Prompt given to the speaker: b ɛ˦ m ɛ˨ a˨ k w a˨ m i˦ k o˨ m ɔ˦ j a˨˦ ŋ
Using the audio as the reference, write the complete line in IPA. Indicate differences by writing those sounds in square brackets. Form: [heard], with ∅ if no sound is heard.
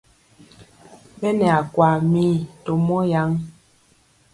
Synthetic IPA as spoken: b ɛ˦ [n] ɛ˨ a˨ k w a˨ m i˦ [t] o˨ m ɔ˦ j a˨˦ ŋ